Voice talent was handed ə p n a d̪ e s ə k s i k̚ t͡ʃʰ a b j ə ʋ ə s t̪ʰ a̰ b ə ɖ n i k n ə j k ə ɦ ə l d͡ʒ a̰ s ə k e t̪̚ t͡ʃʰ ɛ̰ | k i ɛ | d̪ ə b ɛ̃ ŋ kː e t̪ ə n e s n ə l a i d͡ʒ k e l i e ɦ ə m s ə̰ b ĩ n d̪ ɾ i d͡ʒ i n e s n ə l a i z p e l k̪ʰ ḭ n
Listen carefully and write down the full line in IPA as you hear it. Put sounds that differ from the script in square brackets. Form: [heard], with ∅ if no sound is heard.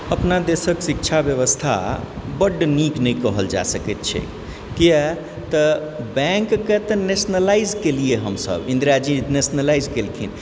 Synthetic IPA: ə p n a d̪ e s ə k s i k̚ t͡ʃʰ a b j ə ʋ ə s t̪ʰ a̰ b ə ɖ n i k n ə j k ə ɦ ə l d͡ʒ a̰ s ə k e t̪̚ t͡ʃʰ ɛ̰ | k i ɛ | [t̪] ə b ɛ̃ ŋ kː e t̪ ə n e s n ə l a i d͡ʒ k e l i e ɦ ə m s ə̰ b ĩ n d̪ ɾ [a] d͡ʒ i n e s n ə l a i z [k] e l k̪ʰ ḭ n